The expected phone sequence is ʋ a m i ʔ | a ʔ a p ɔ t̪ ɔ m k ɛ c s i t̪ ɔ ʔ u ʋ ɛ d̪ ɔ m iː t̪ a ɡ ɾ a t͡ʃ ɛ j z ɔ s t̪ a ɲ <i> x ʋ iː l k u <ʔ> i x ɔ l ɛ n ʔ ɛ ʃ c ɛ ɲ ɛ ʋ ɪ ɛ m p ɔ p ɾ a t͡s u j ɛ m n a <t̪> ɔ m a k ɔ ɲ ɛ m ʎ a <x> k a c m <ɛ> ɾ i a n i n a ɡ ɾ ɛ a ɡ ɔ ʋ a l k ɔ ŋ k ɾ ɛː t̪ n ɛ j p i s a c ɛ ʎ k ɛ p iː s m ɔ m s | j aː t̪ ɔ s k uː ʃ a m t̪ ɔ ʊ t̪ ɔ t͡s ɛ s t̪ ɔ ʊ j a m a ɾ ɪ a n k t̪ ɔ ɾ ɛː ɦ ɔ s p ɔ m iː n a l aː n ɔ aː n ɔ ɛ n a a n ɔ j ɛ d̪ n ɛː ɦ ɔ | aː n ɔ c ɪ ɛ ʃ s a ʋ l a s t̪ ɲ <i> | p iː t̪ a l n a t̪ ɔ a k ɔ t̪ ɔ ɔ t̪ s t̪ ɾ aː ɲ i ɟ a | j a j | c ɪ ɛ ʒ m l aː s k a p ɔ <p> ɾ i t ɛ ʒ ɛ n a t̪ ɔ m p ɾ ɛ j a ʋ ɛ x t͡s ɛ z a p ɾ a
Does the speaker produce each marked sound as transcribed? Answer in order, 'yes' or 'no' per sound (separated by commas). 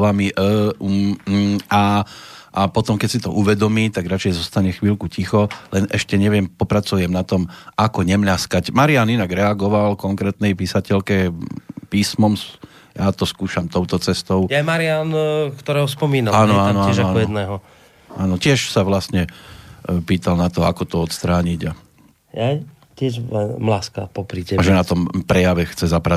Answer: no, no, yes, no, no, no, yes